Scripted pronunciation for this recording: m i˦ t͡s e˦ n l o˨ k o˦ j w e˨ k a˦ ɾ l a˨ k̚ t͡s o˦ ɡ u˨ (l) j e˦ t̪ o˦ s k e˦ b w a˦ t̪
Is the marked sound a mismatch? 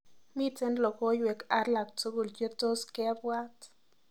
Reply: no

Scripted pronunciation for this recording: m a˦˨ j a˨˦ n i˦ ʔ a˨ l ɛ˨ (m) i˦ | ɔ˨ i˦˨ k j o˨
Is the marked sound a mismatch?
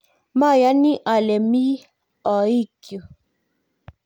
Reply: no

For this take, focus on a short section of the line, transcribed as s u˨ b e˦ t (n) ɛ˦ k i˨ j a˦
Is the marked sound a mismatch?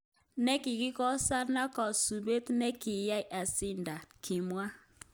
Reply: no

